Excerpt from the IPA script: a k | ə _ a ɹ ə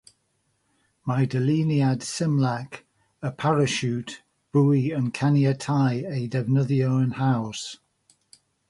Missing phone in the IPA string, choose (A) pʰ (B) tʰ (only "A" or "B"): A